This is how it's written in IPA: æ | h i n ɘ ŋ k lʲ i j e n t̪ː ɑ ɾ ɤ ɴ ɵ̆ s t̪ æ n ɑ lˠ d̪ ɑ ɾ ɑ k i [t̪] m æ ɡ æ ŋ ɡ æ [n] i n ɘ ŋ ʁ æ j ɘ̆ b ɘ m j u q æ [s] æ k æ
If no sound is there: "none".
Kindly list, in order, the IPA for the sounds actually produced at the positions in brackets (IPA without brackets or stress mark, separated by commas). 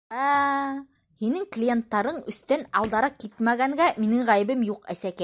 t̪, m, s